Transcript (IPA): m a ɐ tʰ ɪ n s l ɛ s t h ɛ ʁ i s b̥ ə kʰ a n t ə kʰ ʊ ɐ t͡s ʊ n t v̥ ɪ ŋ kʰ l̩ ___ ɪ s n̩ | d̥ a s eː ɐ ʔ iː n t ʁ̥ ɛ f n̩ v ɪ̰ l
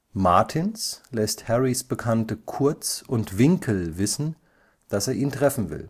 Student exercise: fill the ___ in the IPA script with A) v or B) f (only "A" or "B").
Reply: A